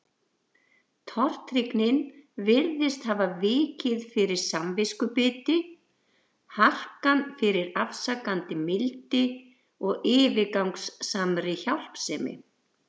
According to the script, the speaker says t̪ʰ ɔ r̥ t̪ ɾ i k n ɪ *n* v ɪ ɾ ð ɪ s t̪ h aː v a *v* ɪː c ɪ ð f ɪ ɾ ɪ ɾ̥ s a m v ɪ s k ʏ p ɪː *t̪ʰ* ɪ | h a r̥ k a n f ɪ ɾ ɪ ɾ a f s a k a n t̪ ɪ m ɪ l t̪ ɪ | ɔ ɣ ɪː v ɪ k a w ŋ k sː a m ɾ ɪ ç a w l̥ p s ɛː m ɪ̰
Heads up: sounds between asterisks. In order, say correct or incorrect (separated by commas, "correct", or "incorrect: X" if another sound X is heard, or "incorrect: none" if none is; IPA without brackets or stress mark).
correct, correct, incorrect: t̪